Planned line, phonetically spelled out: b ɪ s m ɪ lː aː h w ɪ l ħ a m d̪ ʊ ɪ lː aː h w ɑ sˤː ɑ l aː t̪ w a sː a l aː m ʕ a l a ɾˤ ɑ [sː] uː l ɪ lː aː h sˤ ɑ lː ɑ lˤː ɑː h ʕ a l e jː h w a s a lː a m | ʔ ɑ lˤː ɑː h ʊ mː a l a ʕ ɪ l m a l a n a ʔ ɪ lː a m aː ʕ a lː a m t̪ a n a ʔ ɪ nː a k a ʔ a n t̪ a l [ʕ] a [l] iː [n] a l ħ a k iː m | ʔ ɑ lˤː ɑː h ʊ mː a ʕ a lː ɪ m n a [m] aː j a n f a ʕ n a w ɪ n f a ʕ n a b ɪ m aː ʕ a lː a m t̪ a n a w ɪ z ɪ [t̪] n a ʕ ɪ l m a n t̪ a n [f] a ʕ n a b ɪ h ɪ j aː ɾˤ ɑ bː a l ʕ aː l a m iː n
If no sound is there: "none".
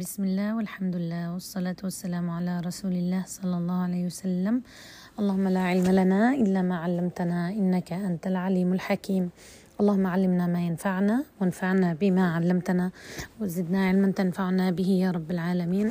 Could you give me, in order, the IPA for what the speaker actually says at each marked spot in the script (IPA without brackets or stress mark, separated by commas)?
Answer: s, ʕ, l, m, m, d̪, f